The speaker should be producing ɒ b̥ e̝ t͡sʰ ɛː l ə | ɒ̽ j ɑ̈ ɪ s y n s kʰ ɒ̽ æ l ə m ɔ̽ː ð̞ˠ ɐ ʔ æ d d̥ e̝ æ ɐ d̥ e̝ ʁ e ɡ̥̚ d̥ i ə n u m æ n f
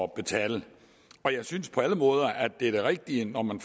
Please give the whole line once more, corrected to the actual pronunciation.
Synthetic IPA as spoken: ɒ b̥ e̝ t͡sʰ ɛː l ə | ɒ̽ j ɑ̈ ɪ s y n s pʰ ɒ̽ æ l ə m ɔ̽ː ð̞ˠ ɐ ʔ æ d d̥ e̝ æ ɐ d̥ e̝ ʁ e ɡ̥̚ d̥ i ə n ɒ m æ n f